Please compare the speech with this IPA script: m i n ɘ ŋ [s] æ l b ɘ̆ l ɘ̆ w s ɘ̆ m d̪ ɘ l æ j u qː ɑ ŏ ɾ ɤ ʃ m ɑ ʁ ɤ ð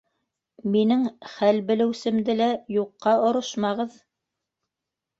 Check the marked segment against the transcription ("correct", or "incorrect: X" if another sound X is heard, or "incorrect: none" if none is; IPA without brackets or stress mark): incorrect: χ